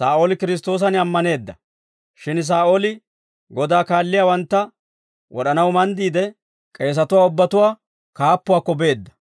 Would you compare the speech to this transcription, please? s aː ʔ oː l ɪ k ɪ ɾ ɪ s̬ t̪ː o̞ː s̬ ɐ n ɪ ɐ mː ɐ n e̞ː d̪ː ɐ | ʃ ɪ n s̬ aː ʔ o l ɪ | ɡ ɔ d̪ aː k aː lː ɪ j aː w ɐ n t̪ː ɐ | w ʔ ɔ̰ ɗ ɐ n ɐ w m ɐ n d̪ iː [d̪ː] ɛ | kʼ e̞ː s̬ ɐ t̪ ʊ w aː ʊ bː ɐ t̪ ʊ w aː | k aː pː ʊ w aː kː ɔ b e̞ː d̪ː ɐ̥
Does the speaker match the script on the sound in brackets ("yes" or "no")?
no